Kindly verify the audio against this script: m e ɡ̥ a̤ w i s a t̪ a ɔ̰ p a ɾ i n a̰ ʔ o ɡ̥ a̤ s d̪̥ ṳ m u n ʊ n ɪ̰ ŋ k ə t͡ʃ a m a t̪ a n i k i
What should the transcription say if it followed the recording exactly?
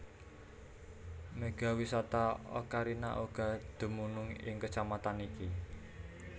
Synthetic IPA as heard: m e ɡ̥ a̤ w i s a t̪ a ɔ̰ k a ɾ i n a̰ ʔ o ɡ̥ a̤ d̪̥ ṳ m u n ʊ ŋ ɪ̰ ŋ k ə t͡ʃ a m a t̪ a n i k i